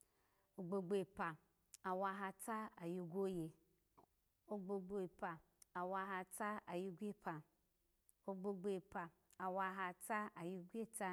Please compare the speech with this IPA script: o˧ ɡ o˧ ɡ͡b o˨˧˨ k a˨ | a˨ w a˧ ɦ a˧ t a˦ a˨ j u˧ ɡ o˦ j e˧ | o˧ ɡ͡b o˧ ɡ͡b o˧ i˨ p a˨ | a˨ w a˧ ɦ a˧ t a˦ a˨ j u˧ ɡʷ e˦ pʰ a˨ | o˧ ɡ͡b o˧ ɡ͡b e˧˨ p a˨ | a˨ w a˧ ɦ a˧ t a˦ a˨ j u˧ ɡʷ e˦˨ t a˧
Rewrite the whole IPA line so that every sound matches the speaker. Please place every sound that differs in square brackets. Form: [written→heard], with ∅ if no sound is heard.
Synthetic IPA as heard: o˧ [ɡ→ɡ͡b] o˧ ɡ͡b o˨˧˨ [k→p] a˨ | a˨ w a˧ ɦ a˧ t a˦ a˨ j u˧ ɡ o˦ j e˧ | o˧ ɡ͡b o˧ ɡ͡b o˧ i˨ p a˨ | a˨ w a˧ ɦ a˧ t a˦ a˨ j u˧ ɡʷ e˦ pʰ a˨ | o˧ ɡ͡b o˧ ɡ͡b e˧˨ p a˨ | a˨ w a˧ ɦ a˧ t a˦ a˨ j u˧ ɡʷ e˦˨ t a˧